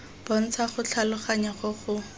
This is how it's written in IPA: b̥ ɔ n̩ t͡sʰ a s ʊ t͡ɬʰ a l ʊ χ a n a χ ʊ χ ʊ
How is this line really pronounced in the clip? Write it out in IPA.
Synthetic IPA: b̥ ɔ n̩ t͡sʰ a χ ʊ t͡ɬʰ a l ʊ χ a ɲ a χ ʊ χ ʊ